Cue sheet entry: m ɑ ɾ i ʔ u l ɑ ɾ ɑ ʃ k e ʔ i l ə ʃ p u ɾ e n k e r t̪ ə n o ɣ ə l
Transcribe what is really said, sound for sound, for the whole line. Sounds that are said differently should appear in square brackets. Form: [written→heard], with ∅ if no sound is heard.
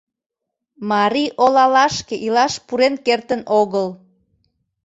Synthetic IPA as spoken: m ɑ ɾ i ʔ [u→o] l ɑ [ɾ→l] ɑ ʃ k e ʔ i l [ə→ɑ] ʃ p u ɾ e n k e r t̪ ə n o ɣ ə l